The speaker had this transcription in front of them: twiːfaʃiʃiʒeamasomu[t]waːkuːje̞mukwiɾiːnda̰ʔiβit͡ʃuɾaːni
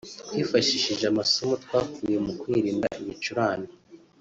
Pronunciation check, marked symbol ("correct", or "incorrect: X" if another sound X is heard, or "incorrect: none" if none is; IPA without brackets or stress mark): correct